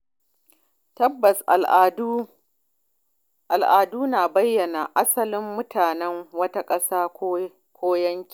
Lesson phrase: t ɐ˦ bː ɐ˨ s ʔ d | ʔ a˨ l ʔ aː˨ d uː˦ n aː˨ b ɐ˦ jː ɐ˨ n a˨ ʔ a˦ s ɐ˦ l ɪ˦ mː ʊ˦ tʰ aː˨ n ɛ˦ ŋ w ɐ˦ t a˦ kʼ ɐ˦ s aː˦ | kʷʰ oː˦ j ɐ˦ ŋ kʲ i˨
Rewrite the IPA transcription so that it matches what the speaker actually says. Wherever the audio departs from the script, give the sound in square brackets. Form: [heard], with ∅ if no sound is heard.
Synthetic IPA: t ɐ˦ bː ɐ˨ s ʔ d | ʔ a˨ l ʔ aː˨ d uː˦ n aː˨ b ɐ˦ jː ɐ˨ n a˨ ʔ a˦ s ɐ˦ l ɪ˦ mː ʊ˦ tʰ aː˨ n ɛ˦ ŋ w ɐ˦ t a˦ kʼ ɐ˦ s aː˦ | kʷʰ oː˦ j ɐ˦ ŋ kʲ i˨